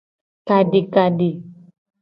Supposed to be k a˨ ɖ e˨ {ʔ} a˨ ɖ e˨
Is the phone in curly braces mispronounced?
yes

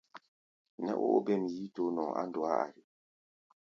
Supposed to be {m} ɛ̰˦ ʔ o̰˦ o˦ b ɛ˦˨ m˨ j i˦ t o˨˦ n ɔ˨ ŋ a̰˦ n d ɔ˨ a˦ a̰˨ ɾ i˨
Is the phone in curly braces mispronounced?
yes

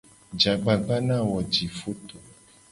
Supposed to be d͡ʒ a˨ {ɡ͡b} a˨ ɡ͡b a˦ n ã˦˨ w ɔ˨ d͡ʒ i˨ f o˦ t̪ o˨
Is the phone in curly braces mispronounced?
no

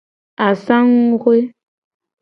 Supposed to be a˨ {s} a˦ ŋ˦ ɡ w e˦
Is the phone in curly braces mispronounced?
no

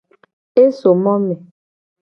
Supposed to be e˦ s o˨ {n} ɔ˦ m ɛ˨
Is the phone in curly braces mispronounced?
yes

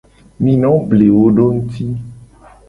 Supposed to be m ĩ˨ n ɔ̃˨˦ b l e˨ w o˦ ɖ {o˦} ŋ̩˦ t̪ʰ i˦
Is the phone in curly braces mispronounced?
no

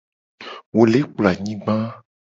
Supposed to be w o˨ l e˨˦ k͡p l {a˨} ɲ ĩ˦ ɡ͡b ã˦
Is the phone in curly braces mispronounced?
no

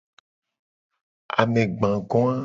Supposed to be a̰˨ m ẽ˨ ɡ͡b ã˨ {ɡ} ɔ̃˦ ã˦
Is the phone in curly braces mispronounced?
no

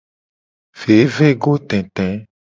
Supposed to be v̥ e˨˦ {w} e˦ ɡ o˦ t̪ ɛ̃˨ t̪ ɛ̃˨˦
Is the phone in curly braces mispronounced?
yes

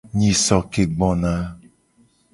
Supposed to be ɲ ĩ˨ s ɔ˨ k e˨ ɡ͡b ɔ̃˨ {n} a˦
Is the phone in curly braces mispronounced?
no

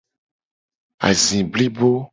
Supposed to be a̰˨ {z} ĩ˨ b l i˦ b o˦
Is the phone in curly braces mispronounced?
no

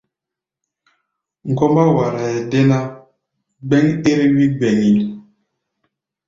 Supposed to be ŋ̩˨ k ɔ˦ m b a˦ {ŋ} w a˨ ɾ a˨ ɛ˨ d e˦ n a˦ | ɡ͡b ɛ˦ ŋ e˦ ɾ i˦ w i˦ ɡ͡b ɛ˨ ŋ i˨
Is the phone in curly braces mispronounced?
yes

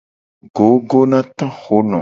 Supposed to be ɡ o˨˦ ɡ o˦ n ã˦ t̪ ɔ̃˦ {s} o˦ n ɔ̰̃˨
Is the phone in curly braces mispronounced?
yes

